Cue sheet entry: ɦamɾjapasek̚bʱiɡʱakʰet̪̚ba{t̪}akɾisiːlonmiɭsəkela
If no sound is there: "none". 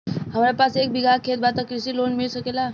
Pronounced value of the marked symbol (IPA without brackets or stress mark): t̪